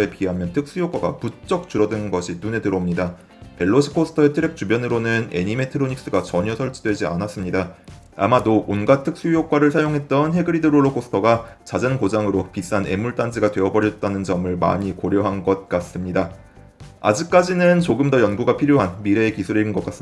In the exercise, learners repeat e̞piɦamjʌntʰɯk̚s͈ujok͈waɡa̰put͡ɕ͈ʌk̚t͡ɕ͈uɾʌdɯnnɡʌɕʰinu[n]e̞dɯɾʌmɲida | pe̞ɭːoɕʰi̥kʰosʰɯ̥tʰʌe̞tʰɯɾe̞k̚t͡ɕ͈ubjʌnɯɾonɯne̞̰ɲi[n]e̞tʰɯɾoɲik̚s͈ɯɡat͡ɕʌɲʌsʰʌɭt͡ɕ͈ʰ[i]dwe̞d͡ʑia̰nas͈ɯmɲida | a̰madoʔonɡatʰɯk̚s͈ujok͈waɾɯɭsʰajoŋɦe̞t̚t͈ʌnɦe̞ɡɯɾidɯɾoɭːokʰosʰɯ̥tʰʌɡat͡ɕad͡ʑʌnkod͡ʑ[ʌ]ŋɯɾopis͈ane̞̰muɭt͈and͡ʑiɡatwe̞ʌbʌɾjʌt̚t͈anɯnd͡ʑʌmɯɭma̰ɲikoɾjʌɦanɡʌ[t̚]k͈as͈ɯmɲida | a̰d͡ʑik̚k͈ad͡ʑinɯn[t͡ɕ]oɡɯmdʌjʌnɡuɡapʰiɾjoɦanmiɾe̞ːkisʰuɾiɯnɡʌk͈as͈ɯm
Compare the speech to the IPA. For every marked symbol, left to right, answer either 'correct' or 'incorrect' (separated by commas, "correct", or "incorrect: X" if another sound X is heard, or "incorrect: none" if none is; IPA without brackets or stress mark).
correct, incorrect: m, correct, incorrect: a, correct, correct